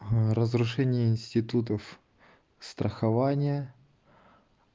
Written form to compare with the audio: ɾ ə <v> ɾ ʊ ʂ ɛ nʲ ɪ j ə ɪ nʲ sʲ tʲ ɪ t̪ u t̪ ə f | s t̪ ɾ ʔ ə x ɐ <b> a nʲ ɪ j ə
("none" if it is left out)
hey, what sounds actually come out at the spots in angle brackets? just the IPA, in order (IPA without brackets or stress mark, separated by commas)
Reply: z, v